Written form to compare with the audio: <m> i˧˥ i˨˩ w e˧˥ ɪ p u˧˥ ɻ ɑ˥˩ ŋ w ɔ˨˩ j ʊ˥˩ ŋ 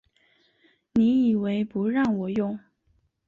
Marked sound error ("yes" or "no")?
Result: yes